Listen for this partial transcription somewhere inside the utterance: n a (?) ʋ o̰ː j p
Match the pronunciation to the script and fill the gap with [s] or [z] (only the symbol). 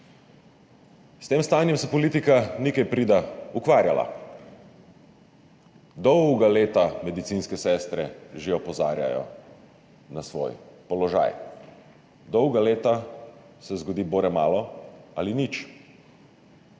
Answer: s